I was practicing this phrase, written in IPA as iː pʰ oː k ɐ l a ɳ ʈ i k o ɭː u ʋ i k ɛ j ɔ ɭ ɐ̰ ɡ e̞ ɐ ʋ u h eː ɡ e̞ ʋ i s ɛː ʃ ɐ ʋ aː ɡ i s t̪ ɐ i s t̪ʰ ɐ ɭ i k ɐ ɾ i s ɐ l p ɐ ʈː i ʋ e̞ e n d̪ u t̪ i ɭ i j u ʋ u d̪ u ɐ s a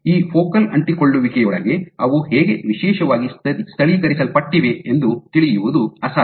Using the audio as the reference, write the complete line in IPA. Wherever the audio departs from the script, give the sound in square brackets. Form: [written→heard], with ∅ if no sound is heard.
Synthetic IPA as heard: iː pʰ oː k ɐ l [a→ɐ] ɳ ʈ i k o ɭː u ʋ i k ɛ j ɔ ɭ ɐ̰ ɡ e̞ ɐ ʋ u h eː ɡ e̞ ʋ i [s→ʃ] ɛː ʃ ɐ ʋ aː ɡ i s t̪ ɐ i s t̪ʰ ɐ ɭ i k ɐ ɾ i s ɐ l p ɐ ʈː i ʋ e̞ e n d̪ u t̪ i ɭ i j u ʋ u d̪ u ɐ s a

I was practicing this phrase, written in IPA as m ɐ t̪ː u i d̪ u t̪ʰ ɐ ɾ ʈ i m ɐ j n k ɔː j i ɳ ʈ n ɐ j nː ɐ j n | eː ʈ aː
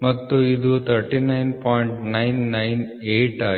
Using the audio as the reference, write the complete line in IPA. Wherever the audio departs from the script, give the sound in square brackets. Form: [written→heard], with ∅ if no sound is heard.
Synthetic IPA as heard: m ɐ t̪ː u i d̪ u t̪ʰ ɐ ɾ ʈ i [m→n] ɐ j n [k→p] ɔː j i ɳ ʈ n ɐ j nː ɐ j n | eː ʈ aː

